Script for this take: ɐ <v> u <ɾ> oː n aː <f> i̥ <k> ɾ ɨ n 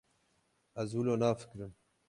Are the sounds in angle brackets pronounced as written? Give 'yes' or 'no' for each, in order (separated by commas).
no, no, yes, yes